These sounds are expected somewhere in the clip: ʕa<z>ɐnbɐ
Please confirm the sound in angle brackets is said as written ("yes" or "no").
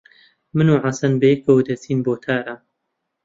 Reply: no